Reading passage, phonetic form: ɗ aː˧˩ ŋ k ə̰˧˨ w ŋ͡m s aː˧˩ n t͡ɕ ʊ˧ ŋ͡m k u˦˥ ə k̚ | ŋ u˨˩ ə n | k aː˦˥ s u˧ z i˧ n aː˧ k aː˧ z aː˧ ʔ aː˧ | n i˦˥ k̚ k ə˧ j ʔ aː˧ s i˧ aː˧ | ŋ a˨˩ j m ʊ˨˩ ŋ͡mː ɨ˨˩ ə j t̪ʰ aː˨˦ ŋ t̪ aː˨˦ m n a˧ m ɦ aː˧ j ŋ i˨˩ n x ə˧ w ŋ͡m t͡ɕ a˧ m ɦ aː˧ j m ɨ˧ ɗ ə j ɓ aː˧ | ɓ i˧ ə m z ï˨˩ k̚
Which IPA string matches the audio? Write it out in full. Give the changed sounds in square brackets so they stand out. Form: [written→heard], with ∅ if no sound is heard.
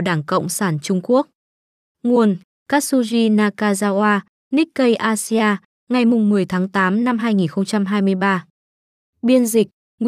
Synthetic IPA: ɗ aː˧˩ ŋ k ə̰˧˨ w ŋ͡m s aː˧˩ n t͡ɕ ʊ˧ ŋ͡m k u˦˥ ə k̚ | ŋ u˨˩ ə n | k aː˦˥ s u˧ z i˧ n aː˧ k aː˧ z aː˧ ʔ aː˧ | n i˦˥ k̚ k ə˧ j ʔ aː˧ s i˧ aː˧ | ŋ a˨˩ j m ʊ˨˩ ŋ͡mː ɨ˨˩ ə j t̪ʰ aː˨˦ ŋ t̪ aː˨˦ m n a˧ m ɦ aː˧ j ŋ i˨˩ n x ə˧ w ŋ͡m t͡ɕ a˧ m ɦ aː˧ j m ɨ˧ [ɗ→∅] ə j ɓ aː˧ | ɓ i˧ ə [m→n] z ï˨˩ k̚